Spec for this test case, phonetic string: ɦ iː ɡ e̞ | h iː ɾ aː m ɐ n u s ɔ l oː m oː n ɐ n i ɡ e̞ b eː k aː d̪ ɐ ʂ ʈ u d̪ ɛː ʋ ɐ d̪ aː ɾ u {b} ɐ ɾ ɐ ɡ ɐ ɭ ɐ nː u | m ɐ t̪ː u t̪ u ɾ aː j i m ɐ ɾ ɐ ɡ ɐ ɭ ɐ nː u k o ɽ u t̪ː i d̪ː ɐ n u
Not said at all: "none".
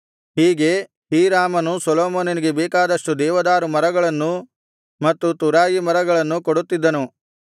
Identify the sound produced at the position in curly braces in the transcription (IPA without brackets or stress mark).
m